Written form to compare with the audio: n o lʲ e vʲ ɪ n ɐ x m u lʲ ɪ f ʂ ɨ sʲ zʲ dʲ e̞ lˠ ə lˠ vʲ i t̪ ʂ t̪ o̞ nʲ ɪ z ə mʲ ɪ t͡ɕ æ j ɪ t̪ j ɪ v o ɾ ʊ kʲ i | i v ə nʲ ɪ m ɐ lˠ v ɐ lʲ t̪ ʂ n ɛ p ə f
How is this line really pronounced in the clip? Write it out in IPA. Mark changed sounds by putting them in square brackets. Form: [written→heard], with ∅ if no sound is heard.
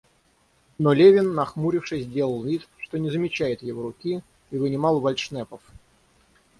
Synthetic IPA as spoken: n o lʲ e vʲ ɪ [n→nː] ɐ x m u [lʲ→ɾʲ] ɪ f ʂ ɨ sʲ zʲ dʲ e̞ lˠ ə lˠ vʲ i t̪ ʂ t̪ o̞ nʲ ɪ z ə mʲ ɪ t͡ɕ æ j ɪ t̪ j ɪ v o ɾ ʊ kʲ i | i v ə nʲ ɪ m [ɐ→ɑ] lˠ v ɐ lʲ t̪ ʂ n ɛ p ə f